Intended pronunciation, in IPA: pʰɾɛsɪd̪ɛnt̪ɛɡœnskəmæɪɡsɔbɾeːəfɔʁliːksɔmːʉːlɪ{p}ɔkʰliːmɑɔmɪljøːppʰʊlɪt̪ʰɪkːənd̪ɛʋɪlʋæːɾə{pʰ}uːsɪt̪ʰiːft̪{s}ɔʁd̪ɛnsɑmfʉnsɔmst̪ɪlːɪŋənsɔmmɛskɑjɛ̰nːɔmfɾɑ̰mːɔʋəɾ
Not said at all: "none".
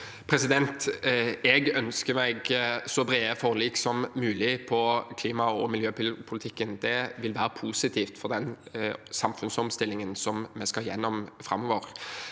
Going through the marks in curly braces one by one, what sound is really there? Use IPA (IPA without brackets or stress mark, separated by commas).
pʰ, pʰ, f